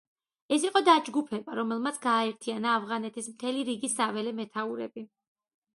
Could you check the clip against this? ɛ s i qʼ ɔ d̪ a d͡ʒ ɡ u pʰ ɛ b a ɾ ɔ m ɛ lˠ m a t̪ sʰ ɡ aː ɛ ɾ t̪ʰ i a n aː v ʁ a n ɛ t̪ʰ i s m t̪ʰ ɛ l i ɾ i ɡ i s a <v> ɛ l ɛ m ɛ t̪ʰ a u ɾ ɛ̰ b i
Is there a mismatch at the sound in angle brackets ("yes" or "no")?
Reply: no